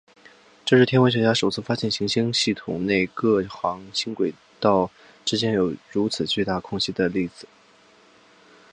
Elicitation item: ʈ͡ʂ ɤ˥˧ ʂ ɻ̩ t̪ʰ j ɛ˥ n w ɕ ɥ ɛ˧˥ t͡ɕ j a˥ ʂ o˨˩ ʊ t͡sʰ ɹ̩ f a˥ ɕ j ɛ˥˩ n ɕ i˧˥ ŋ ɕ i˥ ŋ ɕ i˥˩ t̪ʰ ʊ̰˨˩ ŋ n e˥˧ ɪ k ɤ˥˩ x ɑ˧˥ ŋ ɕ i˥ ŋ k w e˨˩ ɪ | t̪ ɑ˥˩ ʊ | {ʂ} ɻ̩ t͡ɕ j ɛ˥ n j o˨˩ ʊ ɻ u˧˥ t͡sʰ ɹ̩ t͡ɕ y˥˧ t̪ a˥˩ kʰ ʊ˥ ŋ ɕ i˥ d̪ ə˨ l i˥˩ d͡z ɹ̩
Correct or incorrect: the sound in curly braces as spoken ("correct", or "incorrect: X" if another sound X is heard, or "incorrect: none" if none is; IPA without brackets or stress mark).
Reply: incorrect: ʈ͡ʂ